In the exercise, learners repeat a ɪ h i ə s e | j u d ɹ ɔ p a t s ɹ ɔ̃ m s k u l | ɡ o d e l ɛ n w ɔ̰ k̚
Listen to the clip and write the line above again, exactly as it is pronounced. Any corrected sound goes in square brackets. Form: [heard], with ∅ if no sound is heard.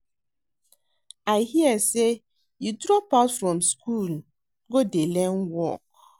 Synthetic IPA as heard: a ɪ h i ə s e | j u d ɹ ɔ p a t [f] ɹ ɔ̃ m s k u l | ɡ o d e l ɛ n w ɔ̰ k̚